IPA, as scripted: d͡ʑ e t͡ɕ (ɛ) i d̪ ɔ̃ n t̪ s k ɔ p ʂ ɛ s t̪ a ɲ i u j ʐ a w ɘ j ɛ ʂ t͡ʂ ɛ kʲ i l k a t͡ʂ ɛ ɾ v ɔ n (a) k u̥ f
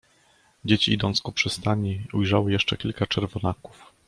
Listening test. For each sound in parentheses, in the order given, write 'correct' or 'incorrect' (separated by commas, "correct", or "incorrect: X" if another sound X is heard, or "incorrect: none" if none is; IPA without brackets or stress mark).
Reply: incorrect: i, correct